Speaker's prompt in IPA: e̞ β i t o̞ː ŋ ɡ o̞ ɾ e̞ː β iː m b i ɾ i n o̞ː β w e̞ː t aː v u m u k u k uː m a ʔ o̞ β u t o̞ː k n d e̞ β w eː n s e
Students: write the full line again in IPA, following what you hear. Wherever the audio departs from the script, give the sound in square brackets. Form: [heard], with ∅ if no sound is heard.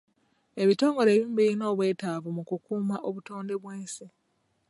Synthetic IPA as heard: e̞ β i t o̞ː ŋ ɡ o̞ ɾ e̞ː β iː m b i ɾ i n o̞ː β w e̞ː t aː v u m u k u k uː m a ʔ o̞ β u t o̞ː [∅] n d e̞ β w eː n s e